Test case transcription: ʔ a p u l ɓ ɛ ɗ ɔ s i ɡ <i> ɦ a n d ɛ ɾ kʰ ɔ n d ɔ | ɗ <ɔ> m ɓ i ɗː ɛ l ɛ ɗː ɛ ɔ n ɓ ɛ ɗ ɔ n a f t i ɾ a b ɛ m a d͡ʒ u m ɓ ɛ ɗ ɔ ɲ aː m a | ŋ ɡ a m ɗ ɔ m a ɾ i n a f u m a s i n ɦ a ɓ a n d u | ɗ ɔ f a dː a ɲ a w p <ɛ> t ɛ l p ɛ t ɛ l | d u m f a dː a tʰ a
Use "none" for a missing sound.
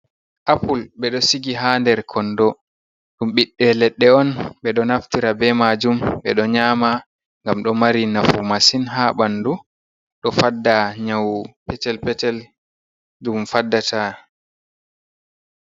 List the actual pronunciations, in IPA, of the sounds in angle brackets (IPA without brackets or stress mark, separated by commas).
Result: i, u, ɛ